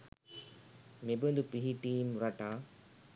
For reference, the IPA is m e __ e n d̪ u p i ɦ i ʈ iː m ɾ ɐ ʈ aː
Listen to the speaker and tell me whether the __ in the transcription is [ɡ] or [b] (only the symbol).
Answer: b